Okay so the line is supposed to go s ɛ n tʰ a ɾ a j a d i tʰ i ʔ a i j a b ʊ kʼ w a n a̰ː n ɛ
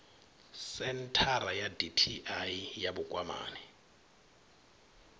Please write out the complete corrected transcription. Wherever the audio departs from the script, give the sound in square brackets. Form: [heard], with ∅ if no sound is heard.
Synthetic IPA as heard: s ɛ n tʰ a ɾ a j a d i tʰ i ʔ a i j a b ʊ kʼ w a [m] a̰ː n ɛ